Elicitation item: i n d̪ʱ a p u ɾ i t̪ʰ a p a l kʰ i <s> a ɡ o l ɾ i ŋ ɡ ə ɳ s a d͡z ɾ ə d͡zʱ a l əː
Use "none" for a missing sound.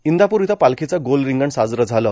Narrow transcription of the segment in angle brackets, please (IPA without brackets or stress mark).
t͡s